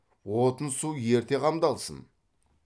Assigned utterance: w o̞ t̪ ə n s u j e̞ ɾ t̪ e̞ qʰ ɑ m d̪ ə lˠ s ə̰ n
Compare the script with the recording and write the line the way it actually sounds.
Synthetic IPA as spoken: w o̞ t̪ ə n s u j e̞ ɾ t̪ e̞ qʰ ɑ m d̪ ɑ lˠ s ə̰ n